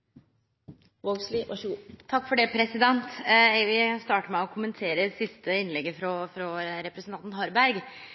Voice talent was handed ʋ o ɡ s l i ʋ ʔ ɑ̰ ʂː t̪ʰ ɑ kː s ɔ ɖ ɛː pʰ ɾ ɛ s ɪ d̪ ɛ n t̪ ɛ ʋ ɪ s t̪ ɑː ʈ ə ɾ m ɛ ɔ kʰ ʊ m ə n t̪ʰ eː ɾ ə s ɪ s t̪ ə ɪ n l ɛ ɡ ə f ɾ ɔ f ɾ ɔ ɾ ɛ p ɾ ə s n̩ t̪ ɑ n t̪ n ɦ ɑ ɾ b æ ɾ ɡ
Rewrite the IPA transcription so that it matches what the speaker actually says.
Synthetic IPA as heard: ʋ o ɡ s l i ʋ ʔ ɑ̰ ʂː t̪ʰ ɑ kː f ɔ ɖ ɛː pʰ ɾ ɛ s ɪ d̪ ɛ n t̪ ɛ ʋ ɪ s t̪ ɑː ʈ ə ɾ m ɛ ɔ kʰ ʊ m ə n t̪ʰ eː ɾ ə s ɪ s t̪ ə ɪ n l ɛ ɡ ə f ɾ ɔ f ɾ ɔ ɾ ɛ p ɾ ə s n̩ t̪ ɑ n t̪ n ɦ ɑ ɾ b æ ɾ ɡ